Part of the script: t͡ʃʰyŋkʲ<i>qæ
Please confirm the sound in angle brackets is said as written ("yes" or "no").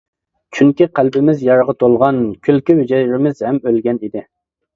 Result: yes